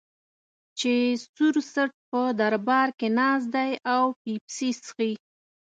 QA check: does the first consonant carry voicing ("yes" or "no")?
no